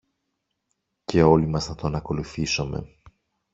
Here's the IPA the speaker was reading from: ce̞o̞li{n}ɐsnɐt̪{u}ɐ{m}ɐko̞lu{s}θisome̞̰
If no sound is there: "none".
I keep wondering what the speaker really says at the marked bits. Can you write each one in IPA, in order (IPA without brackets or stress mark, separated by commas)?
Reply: m, o, n, none